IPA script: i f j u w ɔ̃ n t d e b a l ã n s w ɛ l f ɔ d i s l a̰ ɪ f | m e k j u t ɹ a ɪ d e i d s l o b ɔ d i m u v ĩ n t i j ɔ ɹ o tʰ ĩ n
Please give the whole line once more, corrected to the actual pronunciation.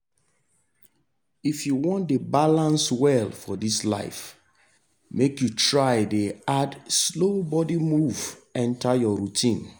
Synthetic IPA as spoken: i f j u w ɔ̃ n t d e b a l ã n s w ɛ l f ɔ d i s l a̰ ɪ f | m e k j u t ɹ a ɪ d e a d s l o b ɔ d i m u v ɛ̃ n t a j ɔ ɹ u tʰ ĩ n